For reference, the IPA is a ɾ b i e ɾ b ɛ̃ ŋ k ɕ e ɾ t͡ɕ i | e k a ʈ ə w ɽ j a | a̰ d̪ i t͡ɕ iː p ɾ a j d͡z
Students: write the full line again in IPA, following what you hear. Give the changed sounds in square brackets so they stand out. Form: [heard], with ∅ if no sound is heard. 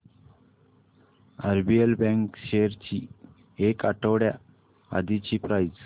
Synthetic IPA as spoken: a ɾ b i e [l] b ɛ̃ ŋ k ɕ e ɾ t͡ɕ i | e k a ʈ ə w ɽ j a | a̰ d̪ i t͡ɕ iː p ɾ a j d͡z